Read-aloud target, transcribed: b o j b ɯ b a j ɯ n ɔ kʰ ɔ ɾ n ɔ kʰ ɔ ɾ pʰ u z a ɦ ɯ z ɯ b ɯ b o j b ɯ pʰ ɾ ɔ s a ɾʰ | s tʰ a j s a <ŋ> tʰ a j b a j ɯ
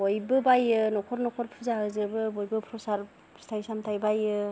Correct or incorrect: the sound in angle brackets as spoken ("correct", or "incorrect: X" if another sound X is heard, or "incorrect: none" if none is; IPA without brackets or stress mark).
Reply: incorrect: m